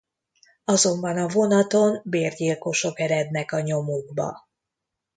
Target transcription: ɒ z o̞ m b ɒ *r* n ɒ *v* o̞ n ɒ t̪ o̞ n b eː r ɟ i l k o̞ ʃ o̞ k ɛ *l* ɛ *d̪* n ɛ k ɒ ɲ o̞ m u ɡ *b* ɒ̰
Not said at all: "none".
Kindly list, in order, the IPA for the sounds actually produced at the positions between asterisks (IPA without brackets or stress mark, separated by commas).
none, v, ɾ, d̪, b